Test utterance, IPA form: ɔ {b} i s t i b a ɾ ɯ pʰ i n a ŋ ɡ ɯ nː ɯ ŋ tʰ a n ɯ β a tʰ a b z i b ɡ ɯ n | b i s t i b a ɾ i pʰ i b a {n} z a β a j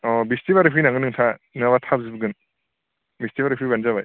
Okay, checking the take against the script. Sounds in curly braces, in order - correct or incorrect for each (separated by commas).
correct, correct